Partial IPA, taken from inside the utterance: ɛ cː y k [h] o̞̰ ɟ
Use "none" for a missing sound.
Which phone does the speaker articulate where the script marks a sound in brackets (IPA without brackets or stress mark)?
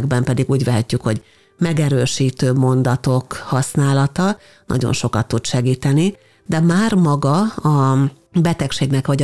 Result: h